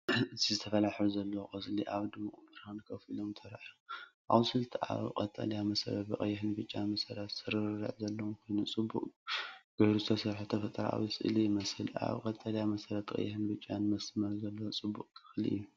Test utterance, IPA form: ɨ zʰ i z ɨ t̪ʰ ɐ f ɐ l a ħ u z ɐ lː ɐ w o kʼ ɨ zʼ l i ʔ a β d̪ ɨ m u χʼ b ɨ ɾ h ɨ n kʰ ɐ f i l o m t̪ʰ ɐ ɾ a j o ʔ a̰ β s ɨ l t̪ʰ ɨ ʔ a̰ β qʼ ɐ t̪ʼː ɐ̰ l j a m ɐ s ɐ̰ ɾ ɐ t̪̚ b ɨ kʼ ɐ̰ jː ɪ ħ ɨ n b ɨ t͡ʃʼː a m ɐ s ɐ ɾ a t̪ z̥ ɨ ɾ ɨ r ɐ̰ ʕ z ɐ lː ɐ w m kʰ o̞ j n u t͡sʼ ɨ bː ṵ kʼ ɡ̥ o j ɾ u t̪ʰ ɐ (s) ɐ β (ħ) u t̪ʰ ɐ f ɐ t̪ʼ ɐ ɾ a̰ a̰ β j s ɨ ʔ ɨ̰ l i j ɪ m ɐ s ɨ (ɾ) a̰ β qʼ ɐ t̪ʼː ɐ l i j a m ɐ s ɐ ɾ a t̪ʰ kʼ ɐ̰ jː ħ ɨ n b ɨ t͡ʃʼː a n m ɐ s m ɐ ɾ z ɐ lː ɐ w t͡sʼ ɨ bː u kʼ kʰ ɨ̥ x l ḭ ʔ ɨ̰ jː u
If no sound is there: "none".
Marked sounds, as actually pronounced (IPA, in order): s, ħ, l

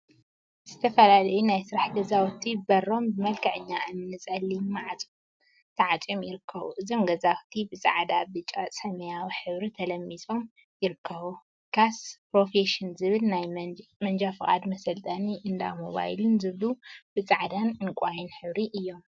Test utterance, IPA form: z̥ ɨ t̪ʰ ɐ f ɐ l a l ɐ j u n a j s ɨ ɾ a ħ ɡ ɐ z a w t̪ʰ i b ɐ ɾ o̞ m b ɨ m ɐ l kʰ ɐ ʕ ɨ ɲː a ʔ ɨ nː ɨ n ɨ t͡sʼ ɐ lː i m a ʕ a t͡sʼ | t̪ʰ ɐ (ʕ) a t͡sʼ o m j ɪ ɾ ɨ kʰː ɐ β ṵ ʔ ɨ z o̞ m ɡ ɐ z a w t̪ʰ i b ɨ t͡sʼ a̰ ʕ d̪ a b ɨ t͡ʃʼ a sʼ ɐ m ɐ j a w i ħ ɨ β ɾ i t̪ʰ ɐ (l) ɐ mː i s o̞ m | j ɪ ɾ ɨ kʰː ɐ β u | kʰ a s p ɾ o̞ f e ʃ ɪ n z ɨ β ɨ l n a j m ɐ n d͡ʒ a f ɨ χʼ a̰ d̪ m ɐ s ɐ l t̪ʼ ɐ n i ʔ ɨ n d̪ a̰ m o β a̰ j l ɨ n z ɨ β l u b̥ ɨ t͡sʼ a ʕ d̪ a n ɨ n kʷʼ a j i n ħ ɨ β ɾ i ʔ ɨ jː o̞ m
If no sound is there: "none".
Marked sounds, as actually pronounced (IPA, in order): ʕ, l

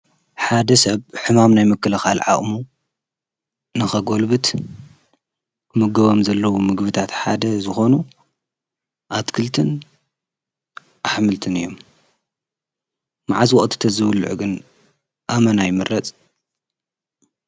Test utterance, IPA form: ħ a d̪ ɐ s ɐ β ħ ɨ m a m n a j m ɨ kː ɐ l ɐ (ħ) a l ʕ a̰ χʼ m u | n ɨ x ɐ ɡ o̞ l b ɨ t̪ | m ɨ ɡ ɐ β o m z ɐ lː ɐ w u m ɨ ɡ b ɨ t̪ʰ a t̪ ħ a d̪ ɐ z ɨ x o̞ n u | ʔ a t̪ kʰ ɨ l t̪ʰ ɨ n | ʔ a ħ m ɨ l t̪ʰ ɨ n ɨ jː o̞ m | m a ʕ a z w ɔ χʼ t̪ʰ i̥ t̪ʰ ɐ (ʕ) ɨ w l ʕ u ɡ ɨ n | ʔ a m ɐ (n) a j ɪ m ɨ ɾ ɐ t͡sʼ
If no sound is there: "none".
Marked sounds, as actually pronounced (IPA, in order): x, z, n

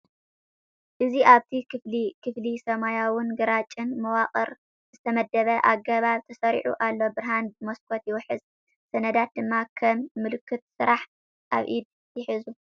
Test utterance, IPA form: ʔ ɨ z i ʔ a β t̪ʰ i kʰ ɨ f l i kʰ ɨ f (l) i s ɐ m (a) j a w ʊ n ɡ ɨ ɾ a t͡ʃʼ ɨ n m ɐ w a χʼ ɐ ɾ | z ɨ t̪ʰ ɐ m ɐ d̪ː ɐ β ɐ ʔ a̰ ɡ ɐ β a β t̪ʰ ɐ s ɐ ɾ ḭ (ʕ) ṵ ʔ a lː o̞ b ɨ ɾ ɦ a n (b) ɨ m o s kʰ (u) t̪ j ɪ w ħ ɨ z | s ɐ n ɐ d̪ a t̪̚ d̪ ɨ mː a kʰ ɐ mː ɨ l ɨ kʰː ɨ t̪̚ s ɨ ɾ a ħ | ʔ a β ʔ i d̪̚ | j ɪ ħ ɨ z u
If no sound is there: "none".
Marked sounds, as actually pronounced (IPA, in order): l, a, ʕ, b, o

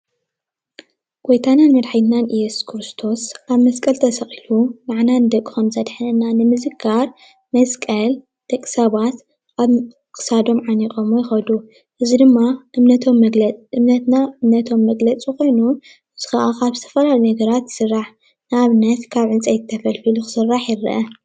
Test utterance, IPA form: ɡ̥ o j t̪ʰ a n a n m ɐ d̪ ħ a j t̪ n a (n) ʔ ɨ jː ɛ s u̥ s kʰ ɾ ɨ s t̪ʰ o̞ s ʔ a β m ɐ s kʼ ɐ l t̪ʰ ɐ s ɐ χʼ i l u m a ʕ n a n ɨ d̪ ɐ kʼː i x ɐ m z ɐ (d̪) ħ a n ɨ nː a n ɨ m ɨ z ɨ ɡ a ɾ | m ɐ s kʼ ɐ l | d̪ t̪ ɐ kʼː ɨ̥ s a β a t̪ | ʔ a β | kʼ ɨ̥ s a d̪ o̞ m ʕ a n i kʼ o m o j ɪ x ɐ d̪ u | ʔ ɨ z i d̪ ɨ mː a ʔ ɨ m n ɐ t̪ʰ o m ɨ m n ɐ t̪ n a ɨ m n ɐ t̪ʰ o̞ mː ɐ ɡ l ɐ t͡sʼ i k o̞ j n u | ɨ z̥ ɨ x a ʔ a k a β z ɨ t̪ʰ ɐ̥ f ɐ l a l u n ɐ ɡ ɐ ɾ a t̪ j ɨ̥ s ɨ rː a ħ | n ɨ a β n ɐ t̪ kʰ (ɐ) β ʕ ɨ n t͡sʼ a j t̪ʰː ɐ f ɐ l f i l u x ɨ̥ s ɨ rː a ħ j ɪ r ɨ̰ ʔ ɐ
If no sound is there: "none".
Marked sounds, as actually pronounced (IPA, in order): n, d̪, a

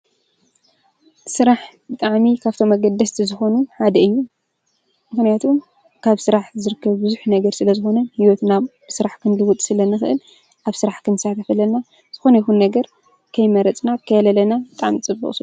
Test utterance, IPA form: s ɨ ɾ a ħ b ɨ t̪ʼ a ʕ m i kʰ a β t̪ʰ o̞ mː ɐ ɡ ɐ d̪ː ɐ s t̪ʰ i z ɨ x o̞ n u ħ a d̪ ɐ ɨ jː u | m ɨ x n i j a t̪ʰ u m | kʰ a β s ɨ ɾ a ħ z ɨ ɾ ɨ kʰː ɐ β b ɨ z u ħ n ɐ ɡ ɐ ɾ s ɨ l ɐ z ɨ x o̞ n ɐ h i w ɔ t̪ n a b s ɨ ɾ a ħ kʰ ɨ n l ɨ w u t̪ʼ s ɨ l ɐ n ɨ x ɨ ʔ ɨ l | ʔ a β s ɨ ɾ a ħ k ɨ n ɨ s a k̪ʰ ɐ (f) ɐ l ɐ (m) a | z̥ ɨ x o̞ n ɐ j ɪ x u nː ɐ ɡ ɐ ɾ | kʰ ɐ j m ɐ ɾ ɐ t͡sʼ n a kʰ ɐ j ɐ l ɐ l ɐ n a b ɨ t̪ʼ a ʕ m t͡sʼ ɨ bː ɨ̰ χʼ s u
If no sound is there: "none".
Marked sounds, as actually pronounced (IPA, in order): f, n

